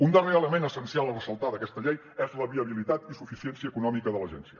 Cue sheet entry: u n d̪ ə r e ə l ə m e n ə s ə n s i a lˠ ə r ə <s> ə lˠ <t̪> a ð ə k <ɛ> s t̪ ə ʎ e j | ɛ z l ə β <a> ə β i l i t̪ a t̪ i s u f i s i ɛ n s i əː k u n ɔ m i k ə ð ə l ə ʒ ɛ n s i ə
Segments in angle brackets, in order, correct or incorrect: correct, correct, correct, incorrect

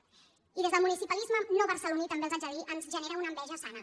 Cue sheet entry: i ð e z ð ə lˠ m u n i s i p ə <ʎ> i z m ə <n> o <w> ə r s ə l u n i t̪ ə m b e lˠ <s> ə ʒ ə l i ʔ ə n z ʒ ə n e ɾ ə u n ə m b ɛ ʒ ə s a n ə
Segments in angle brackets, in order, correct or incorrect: incorrect, correct, incorrect, incorrect

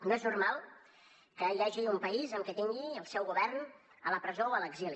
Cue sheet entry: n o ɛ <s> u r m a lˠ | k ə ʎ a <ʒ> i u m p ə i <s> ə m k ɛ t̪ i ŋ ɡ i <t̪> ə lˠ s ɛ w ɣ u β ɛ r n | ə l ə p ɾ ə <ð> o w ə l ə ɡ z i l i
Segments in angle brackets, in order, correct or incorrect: incorrect, correct, incorrect, incorrect, incorrect

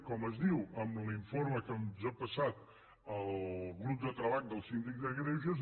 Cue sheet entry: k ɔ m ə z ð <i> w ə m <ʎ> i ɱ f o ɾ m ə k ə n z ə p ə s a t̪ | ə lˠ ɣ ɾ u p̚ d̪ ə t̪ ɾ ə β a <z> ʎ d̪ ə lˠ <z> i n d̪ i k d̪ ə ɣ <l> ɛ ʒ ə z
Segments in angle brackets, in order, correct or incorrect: correct, incorrect, incorrect, incorrect, incorrect

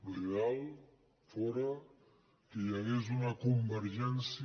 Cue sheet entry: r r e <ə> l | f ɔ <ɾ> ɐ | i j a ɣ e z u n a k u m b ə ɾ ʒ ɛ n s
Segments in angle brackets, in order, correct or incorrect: incorrect, correct

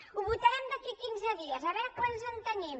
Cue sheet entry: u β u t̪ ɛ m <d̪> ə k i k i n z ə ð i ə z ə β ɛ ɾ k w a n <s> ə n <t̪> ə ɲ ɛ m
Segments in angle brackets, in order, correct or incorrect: correct, incorrect, correct

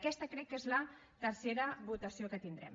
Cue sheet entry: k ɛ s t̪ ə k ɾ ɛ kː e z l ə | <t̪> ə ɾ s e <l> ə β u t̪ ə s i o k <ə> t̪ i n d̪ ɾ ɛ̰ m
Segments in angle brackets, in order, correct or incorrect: correct, incorrect, correct

